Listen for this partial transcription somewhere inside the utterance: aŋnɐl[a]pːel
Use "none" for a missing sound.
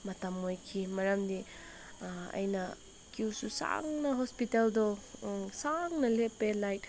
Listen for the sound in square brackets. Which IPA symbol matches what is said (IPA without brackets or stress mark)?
e